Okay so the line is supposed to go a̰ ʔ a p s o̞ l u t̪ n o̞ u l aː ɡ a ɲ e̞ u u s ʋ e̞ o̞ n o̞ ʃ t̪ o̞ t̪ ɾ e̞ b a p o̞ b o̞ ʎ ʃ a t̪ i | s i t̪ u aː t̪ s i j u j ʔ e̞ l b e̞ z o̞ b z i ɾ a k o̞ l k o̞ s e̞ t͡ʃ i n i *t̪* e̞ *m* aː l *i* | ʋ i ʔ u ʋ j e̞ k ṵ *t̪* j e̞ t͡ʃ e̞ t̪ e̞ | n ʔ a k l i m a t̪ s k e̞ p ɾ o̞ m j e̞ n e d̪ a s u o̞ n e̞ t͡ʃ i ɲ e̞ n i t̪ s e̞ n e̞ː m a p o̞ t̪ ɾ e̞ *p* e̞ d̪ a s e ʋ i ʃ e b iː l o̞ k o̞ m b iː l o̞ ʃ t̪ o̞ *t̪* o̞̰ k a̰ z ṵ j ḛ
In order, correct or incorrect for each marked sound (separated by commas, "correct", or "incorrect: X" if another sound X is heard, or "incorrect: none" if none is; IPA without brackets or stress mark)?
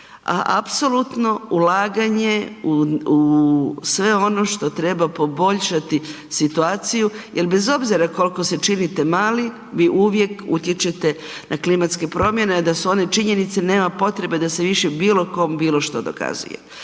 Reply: correct, correct, correct, correct, incorrect: b, incorrect: d̪